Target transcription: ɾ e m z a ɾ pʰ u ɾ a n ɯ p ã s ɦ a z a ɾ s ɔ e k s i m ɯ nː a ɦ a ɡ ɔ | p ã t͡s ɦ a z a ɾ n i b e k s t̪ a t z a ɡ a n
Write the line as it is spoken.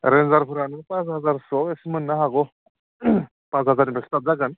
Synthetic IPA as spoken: ɾ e n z a ɾ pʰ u ɾ a n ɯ p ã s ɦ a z a ɾ s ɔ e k s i m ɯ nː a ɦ a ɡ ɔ | p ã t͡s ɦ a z a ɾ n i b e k s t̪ a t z a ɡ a n